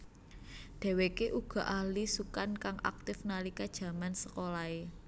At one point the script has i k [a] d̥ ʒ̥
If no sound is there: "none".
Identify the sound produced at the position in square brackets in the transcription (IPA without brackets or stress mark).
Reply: a